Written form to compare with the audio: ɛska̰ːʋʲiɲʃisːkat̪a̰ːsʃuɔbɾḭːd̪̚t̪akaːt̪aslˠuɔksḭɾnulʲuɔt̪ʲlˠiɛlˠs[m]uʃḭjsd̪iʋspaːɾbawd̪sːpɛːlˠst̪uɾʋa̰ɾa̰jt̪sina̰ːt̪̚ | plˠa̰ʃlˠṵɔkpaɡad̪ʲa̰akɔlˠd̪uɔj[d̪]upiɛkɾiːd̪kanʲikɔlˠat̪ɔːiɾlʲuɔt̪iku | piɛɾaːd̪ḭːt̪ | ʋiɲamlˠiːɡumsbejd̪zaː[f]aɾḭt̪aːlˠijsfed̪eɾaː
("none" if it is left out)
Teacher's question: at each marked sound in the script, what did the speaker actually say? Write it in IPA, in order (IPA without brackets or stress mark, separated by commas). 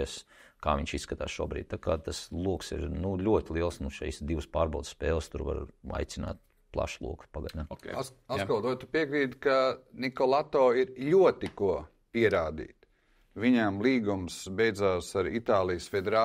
n, t̪, s